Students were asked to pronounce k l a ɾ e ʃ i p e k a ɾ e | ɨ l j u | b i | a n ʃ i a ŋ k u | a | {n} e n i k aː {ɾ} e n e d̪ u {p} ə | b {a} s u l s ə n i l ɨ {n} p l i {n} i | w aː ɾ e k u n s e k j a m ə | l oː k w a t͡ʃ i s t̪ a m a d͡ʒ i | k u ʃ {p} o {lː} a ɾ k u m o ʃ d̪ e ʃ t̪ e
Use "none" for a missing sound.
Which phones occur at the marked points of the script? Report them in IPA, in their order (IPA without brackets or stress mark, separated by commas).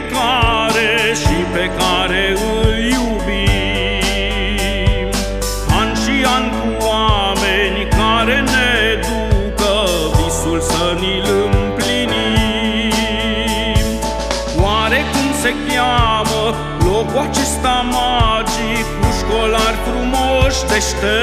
m, ɾ, k, i, m, n, k, l